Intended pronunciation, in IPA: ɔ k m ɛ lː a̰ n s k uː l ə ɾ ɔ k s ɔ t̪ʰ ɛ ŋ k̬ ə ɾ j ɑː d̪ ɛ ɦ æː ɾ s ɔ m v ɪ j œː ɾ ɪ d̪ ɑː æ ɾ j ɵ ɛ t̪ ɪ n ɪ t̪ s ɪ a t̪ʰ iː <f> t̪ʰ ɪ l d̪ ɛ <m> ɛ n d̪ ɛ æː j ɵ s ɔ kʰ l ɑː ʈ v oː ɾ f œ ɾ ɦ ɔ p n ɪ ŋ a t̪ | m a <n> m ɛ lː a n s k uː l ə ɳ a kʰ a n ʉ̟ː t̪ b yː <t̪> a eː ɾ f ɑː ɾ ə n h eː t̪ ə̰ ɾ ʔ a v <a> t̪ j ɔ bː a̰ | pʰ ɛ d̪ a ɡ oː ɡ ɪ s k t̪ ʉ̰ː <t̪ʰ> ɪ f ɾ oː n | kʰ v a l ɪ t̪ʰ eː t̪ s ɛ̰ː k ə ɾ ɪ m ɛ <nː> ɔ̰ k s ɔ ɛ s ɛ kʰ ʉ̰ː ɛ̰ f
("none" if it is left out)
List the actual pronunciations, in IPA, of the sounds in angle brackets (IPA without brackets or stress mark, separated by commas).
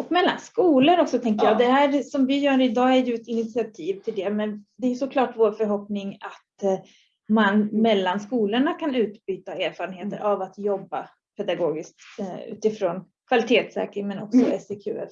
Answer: v, m, n, t̪, a, t̪, n